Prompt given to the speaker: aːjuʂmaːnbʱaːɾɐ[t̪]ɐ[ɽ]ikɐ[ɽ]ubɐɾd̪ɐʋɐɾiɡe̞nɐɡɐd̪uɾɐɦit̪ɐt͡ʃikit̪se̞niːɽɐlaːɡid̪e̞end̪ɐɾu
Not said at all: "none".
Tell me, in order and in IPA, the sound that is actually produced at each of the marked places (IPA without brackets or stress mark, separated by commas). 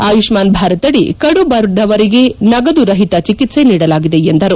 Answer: t̪, ɽ, ɽ